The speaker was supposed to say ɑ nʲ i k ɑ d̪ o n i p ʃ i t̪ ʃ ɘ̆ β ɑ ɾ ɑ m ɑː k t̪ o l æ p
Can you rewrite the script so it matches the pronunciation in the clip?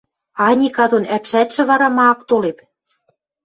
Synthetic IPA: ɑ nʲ i k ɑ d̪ o n æ p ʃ æ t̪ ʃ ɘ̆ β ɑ ɾ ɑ m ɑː k t̪ o l e p